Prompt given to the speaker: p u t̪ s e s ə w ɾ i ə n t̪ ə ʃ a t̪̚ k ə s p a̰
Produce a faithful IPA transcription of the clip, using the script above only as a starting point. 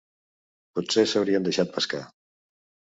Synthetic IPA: p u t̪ s e s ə w ɾ i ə n d̪ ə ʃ a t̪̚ p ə s k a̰